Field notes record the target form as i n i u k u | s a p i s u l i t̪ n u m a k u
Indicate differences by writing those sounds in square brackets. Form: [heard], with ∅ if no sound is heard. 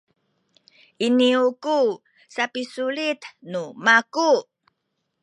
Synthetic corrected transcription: i n i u k u | s a p i s u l i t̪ n u m a k u

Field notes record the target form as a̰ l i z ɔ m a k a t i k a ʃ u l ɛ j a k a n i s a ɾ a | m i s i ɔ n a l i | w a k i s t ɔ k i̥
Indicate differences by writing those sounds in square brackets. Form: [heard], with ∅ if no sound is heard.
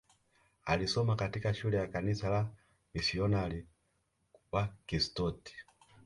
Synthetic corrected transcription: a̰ l i [s] ɔ m a k a t i k a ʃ u l ɛ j a k a n i s a [l] a | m i s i ɔ n a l i | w a k i s t ɔ [t] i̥

